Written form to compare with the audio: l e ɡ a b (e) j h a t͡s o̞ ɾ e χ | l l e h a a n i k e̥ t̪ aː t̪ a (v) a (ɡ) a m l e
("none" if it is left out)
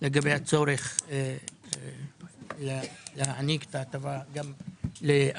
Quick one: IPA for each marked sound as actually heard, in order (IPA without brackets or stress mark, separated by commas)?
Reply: e, v, ɡ